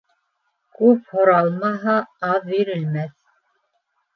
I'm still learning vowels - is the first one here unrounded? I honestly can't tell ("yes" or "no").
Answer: no